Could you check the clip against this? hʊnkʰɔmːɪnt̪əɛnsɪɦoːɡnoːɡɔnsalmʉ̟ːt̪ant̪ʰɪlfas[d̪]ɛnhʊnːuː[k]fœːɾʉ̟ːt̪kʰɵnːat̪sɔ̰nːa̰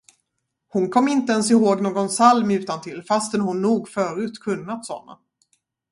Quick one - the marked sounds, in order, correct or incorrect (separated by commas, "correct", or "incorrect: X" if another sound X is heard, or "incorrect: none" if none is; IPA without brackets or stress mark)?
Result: incorrect: t̪, incorrect: ɡ